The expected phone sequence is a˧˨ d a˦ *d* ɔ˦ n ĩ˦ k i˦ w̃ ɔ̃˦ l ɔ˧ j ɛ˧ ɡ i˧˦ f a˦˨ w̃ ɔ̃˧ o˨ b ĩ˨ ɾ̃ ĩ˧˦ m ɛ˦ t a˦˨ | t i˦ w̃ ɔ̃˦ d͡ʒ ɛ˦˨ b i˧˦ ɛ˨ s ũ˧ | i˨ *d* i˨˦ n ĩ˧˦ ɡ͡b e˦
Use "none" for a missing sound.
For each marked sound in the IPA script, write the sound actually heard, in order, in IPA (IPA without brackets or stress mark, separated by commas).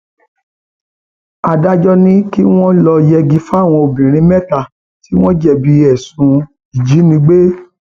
d͡ʒ, d͡ʒ